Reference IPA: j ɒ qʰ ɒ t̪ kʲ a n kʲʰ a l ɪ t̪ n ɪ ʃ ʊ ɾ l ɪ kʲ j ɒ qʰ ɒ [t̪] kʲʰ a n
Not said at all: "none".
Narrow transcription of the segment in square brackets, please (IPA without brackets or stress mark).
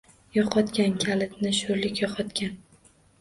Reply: t̪